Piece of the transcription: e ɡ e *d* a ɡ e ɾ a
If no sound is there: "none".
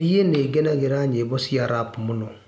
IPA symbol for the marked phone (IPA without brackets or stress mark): n